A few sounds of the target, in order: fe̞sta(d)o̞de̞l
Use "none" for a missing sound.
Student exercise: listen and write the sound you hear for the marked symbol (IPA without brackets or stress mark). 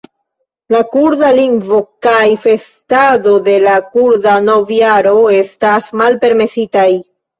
d